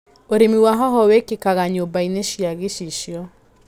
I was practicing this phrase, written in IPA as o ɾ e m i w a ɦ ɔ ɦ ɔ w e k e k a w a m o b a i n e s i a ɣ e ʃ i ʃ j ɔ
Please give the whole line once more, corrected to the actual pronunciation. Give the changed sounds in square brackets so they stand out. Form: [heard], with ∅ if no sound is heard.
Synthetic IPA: o ɾ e m i w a ɦ ɔ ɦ ɔ w e k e k a [ɣ] a [ɲ] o b a i n e [ʃ] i a ɣ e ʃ i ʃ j ɔ

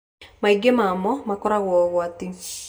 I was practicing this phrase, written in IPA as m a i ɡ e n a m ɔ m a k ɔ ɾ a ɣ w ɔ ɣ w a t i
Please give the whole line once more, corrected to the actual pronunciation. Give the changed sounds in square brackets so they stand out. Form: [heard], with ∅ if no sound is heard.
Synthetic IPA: m a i ɡ e [m] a m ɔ m a k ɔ ɾ a ɣ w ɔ ɣ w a t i

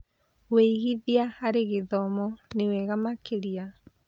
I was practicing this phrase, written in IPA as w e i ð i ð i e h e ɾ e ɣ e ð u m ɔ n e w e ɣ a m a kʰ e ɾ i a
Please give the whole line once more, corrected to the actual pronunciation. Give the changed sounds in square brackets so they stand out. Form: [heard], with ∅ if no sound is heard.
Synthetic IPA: w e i [ɣ] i ð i [a] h [a] ɾ e ɣ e ð [ɔ] m ɔ n e w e ɣ a m a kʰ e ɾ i a

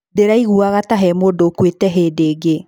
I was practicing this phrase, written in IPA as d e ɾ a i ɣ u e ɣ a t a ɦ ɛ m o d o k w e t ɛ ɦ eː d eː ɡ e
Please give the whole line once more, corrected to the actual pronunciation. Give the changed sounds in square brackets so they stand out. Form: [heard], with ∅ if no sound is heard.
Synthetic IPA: d e ɾ a i ɣ u [a] ɣ a t a ɦ ɛ m o d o k w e t ɛ ɦ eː d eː ɡ e

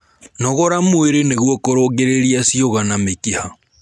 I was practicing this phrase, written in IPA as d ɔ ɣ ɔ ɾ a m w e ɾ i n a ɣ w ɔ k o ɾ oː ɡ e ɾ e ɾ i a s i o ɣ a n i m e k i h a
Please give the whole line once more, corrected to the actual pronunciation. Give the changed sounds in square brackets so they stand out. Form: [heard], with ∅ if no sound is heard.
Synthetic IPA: [n] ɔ ɣ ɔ ɾ a m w e ɾ [e] n [e] ɣ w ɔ k o ɾ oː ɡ e ɾ e ɾ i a s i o ɣ a n [a] m e k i h a

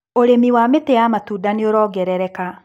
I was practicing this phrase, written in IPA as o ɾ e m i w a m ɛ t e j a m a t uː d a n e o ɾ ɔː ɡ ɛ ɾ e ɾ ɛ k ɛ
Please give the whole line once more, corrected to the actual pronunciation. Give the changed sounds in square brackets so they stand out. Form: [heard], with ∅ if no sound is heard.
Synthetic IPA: o ɾ e m i w a m [e] t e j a m a t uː d a n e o ɾ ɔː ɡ ɛ ɾ [ɛ] ɾ ɛ k [a]

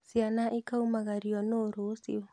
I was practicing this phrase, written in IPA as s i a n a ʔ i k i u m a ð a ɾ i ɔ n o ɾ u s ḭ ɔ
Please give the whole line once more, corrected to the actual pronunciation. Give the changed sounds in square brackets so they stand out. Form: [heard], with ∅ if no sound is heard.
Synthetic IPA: s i a n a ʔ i k [a] u m a [ɣ] a ɾ i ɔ n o ɾ [o] s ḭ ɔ

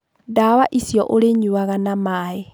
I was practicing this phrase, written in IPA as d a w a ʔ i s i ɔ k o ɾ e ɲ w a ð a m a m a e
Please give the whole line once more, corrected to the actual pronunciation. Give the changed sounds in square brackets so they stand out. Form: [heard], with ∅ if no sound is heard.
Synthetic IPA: d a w a ʔ i s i ɔ [ʔ] o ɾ e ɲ [u] a [ɣ] a [n] a m a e

